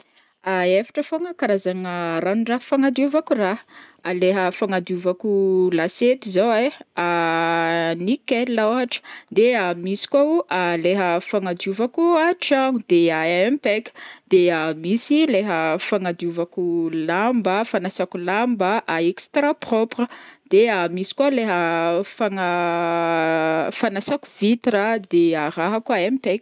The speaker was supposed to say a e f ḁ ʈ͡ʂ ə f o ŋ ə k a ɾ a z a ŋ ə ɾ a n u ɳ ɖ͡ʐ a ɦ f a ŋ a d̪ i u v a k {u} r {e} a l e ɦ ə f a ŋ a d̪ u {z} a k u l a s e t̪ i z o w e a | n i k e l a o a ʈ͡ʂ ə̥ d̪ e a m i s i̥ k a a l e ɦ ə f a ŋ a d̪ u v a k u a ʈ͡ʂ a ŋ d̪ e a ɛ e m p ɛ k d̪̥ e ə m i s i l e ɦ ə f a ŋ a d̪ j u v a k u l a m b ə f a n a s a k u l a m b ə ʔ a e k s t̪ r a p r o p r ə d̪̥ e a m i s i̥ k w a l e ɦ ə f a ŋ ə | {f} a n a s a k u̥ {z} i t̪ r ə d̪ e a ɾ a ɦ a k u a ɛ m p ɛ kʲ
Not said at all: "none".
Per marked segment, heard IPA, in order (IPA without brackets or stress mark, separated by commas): u, a, v, f, v